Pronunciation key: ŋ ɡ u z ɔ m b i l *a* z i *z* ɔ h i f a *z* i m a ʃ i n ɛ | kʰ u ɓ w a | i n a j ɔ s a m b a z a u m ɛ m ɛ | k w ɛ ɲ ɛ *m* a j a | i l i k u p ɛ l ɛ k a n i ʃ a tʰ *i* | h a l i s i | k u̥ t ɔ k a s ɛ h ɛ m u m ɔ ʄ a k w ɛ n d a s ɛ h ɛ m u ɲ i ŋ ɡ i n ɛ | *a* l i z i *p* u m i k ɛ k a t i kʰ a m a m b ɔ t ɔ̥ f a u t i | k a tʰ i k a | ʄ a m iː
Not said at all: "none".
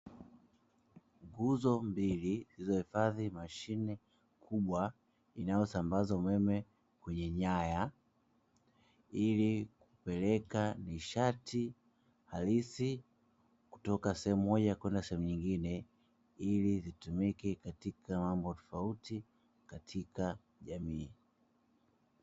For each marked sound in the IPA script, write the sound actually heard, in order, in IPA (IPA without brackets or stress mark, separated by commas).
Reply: i, z, ð, ɲ, i, i, t